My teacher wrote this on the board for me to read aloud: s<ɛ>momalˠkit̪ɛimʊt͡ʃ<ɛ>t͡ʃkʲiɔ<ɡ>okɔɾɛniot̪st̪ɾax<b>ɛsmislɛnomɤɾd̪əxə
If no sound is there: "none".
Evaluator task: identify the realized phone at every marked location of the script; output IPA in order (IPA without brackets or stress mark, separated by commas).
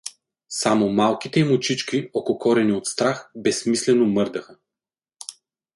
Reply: a, i, k, b